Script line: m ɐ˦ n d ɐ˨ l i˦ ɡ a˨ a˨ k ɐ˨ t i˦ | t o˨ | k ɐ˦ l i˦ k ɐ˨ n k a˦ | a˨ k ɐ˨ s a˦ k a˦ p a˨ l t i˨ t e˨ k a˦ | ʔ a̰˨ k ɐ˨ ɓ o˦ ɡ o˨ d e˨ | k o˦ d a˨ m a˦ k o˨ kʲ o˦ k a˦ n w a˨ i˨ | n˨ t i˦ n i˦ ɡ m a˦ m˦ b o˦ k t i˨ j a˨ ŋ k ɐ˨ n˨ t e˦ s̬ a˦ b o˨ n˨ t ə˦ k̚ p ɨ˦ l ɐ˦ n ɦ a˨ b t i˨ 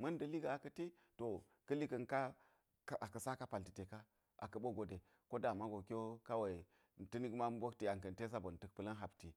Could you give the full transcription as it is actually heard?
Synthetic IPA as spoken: m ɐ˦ n d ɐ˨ l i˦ ɡ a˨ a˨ k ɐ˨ t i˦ | t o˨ | k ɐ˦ l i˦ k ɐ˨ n k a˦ | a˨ k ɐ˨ s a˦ k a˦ p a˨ l t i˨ t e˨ k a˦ | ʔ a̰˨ k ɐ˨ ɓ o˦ ɡ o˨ d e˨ | k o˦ d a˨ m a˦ ɡ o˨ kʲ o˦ k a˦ w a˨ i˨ | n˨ t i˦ n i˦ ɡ m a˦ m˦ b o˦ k t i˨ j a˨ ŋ k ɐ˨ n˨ t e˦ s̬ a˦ b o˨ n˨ t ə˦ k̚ p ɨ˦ l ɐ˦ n ɦ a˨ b t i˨

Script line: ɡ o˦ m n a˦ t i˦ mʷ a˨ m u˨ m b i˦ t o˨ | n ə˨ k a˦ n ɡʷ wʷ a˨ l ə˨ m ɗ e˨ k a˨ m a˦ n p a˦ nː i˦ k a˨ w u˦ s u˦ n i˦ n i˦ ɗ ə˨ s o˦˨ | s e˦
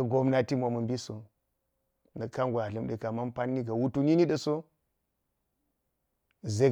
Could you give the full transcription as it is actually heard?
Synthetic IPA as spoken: ɡ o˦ m n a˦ t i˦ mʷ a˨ m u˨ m b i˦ s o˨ | n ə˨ k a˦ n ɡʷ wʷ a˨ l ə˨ m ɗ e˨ k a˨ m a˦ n p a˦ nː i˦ ɡ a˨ w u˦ t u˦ n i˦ n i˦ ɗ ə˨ s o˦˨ | z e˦

